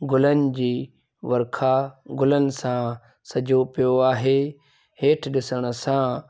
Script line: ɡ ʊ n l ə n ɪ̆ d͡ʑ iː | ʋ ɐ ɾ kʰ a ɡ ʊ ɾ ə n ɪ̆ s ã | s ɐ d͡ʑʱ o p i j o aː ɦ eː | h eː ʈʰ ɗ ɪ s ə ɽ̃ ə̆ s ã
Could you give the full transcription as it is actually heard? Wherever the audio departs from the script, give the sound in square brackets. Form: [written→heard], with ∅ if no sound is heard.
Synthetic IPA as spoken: ɡ ʊ [n→∅] l ə n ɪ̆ d͡ʑ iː | ʋ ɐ ɾ kʰ a ɡ ʊ [ɾ→l] ə n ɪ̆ s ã | s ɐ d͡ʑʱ o p i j o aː ɦ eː | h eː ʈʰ ɗ ɪ s ə ɽ̃ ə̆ s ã